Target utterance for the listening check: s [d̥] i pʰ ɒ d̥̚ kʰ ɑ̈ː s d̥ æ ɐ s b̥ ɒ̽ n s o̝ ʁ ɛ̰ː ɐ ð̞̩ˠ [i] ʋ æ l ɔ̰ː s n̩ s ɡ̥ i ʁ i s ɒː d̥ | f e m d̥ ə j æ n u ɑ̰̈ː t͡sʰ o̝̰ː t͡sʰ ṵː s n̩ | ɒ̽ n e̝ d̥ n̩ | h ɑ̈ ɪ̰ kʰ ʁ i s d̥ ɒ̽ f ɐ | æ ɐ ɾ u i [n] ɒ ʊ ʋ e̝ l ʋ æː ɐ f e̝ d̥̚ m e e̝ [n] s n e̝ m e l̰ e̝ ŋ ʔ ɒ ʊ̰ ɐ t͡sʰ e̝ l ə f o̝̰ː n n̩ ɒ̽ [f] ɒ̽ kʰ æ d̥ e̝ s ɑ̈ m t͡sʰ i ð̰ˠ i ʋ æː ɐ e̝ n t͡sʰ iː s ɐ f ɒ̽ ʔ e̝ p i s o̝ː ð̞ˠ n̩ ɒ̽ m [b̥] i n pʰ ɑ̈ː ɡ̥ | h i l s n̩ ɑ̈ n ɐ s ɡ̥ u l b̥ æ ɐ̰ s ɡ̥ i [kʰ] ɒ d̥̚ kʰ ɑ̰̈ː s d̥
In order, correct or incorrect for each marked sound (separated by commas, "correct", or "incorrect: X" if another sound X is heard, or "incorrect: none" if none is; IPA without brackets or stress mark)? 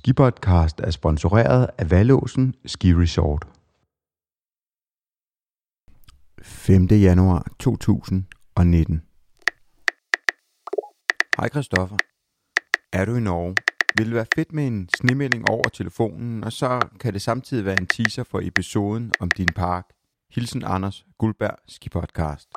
incorrect: ɡ̥, incorrect: æ, correct, correct, incorrect: s, incorrect: d̥, incorrect: pʰ